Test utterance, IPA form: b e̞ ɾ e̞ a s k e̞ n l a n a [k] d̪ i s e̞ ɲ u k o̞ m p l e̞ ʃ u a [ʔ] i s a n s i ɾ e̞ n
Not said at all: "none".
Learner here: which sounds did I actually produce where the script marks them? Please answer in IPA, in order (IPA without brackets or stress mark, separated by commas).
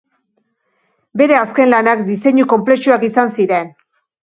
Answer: k, k